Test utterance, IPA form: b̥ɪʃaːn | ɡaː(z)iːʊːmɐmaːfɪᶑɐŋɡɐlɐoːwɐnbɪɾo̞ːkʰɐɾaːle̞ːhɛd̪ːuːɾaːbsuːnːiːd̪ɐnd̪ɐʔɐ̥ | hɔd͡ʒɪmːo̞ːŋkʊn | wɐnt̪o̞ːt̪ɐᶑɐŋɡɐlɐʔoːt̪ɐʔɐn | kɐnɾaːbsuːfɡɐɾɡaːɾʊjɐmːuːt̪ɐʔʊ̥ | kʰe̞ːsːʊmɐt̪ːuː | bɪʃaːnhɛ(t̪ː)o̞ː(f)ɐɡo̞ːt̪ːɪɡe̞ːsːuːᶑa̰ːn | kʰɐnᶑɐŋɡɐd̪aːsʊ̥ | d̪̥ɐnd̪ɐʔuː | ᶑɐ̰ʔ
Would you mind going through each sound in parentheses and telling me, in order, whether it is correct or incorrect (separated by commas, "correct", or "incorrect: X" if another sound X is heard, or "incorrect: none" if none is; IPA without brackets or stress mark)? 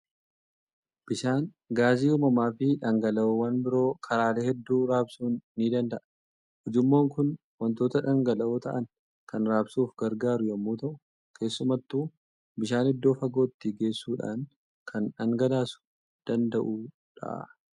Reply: correct, incorrect: d̪ː, correct